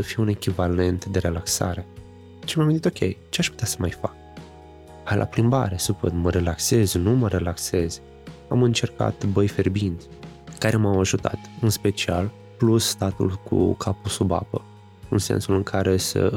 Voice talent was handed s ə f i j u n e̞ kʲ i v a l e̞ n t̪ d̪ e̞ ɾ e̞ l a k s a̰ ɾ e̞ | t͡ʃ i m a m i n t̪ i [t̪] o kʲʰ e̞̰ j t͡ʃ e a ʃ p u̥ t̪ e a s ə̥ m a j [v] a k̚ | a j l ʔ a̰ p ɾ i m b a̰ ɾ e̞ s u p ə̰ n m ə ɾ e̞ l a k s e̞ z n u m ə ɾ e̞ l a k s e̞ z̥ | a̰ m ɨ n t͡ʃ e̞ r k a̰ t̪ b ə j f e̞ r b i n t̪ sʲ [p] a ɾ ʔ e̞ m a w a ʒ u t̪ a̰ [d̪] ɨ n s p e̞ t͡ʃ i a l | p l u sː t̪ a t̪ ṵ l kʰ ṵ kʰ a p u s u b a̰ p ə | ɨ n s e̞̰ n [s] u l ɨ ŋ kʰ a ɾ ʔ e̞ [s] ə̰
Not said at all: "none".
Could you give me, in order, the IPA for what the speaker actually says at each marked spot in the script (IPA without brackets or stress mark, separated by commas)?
t̪, f, k, t̪, s, s